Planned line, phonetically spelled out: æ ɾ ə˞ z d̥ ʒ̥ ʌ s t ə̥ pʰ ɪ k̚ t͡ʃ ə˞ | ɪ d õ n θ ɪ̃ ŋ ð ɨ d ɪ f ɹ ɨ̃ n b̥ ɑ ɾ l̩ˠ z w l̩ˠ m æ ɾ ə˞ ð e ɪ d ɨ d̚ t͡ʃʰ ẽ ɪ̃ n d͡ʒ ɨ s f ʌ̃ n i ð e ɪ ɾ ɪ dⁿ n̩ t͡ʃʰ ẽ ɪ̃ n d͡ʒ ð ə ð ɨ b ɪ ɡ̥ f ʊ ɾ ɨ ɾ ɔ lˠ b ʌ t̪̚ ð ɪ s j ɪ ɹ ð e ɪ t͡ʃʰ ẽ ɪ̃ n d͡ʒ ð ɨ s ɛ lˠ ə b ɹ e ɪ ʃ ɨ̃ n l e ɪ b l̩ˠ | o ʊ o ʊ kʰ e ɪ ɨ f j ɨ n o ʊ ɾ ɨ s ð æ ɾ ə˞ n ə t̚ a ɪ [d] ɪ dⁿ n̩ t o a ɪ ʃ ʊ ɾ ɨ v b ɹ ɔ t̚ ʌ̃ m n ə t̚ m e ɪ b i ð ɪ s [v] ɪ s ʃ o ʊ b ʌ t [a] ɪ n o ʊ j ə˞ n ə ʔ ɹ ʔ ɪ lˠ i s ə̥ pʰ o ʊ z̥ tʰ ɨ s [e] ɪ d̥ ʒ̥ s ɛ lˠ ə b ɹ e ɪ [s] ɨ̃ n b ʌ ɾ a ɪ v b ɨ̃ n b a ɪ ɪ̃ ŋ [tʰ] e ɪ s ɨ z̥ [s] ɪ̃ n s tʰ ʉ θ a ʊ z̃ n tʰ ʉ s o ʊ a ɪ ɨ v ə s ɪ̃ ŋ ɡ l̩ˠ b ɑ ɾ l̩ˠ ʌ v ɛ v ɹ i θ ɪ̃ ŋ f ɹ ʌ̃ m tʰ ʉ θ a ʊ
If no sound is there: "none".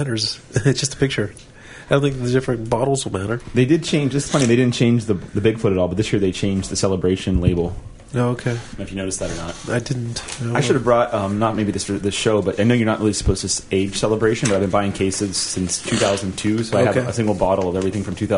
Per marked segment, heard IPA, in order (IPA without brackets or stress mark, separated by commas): d, ð, a, e, ʃ, kʰ, s